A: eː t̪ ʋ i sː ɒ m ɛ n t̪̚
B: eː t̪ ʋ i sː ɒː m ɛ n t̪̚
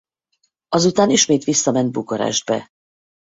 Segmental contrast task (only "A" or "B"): A